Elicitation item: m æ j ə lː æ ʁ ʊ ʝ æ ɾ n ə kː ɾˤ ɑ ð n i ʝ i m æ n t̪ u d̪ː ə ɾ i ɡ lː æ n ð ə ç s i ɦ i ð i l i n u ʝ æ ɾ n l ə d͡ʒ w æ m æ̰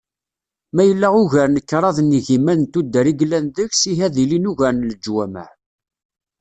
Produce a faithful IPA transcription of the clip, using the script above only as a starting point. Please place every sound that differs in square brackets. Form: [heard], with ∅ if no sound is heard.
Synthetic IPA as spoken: m æ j ə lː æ ʁ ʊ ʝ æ ɾ n ə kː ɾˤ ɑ ð n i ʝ i m æ n t̪ u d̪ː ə ɾ i ɡ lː æ n ð ə ç s i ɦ [æ] ð i l i n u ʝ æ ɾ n l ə d͡ʒ w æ m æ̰

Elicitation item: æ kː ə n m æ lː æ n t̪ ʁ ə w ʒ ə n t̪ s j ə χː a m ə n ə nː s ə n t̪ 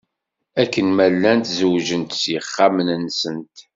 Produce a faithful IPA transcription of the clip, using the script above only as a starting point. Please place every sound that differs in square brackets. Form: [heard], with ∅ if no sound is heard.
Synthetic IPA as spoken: æ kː ə n m æ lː æ n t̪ [z] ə w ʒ ə n t̪ s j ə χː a m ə n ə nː s ə n t̪

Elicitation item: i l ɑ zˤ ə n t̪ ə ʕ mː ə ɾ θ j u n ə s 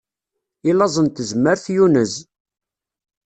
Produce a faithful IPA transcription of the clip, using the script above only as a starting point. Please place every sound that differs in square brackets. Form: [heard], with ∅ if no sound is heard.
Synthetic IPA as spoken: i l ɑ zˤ ə n t̪ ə [z] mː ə ɾ θ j u n ə [z]

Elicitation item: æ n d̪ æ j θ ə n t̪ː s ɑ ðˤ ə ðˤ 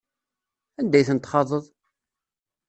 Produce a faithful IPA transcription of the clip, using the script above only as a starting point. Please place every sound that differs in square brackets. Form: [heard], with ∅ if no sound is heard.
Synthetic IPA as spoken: æ n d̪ æ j θ ə n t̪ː [χ] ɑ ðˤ ə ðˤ

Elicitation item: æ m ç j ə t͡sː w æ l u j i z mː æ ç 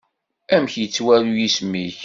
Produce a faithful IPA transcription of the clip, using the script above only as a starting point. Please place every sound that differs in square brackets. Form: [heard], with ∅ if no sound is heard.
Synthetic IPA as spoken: æ m ç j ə t͡sː w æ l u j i [s] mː [i] ç

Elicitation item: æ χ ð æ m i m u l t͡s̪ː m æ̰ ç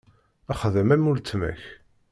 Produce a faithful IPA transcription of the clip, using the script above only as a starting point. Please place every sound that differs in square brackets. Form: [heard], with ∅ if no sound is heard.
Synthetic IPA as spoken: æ χ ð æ m [æ] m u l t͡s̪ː m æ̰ ç

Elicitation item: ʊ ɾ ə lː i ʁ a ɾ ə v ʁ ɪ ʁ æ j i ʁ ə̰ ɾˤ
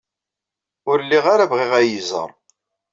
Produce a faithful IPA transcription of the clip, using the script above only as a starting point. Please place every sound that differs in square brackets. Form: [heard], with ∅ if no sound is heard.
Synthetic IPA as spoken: ʊ ɾ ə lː i ʁ a ɾ [a] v ʁ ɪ ʁ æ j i [z] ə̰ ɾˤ

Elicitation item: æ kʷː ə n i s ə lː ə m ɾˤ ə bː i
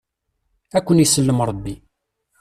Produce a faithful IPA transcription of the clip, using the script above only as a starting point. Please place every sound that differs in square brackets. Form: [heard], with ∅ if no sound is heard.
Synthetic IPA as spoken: æ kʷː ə n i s ə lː ə m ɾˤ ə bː i

